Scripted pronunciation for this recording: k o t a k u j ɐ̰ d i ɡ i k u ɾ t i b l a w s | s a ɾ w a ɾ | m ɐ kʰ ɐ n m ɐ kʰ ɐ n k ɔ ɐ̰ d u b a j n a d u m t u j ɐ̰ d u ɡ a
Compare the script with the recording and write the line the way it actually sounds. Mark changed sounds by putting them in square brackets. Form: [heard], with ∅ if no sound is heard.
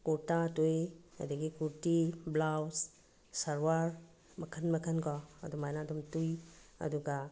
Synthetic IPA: k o t a [t] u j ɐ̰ d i ɡ i k u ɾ t i b l a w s | s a ɾ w a ɾ | m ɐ kʰ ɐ n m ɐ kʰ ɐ n k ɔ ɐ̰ d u [m] a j n a d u m t u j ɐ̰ d u ɡ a

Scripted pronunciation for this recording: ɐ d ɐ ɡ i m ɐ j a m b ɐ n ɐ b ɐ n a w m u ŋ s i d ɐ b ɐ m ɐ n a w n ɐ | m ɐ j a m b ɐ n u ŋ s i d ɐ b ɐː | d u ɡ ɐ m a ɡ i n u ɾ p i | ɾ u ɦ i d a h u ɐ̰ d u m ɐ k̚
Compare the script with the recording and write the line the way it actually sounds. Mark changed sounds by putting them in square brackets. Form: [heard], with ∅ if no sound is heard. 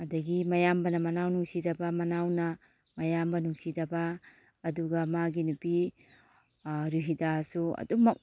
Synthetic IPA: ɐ d ɐ ɡ i m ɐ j a m b ɐ n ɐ [m] ɐ n a w [n] u ŋ s i d ɐ b ɐ m ɐ n a w n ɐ | m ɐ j a m b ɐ n u ŋ s i d ɐ b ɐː | d u ɡ ɐ m a ɡ i n u [∅] p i | ɾ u ɦ i d a [s] u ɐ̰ d u m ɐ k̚

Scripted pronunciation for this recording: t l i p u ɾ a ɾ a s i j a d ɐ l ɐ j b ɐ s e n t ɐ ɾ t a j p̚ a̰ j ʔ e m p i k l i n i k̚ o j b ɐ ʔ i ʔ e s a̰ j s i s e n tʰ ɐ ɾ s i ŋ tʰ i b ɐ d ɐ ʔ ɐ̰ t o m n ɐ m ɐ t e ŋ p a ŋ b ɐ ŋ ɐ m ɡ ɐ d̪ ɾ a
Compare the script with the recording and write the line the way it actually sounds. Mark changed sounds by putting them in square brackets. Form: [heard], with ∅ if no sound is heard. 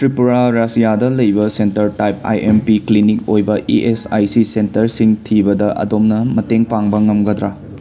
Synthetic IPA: t [ɾ] i p u ɾ a ɾ a s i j a d ɐ l ɐ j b ɐ s e n t ɐ ɾ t a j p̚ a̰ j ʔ e m p i k l i n i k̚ o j b ɐ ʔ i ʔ e s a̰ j s i s e n [t] ɐ ɾ s i ŋ tʰ i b ɐ d ɐ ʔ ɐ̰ [d] o m n ɐ m ɐ t e ŋ p a ŋ b ɐ ŋ ɐ m ɡ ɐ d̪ ɾ a

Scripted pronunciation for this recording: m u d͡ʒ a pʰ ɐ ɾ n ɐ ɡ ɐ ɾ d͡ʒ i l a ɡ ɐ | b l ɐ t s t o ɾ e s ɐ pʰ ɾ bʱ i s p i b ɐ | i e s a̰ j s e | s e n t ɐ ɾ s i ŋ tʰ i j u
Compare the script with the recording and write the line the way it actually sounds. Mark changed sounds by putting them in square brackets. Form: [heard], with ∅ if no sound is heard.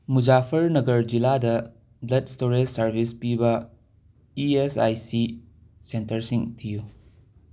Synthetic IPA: m u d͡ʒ a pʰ ɐ ɾ n ɐ ɡ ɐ ɾ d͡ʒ i l a [d] ɐ | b l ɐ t s t o ɾ e s ɐ [∅] ɾ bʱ i s p i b ɐ | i e s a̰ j s [i] | s e n t ɐ ɾ s i ŋ tʰ i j u

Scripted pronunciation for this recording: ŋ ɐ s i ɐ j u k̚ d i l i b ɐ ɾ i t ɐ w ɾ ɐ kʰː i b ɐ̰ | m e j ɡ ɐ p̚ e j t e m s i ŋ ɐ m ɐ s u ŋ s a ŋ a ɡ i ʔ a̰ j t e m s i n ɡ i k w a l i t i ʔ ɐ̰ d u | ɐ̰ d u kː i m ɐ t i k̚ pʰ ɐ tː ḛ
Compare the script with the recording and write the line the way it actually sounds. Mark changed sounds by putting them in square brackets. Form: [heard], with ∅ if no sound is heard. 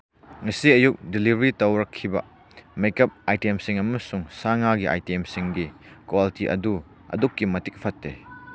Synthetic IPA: ŋ ɐ s i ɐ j u k̚ d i l i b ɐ ɾ i t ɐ w ɾ ɐ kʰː i b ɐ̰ | m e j [k] ɐ p̚ [a] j t e m s i ŋ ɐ m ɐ s u ŋ s a ŋ a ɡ i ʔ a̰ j t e m s i [ŋ] ɡ i k w a l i t i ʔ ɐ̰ d u | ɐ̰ d u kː i m ɐ t i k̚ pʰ ɐ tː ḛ

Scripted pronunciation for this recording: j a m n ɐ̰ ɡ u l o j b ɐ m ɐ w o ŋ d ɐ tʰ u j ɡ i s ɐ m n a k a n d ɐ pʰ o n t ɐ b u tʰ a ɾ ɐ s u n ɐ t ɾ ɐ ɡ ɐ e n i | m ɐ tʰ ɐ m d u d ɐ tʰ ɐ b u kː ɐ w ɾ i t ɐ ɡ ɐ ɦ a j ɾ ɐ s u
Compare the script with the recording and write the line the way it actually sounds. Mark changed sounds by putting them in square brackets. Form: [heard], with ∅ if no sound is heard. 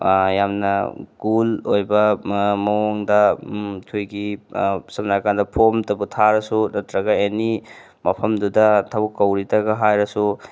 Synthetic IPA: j a m n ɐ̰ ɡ u l o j b ɐ m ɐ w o ŋ d ɐ tʰ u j ɡ i s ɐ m n a k a n d ɐ pʰ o [m] t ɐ b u tʰ a ɾ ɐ s u n ɐ t ɾ ɐ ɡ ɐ e n i | m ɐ [pʰ] ɐ m d u d ɐ tʰ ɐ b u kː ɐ w ɾ i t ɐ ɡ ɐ ɦ a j ɾ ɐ s u

